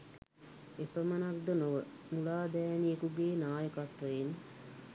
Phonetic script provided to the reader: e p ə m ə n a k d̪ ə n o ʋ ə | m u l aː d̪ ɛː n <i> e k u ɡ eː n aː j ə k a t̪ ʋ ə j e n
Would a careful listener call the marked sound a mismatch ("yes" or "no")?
no